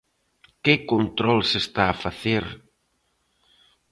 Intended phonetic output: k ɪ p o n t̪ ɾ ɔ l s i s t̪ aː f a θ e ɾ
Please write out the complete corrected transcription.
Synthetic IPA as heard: k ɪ k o n t̪ ɾ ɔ l s e s t̪ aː f a θ e ɾ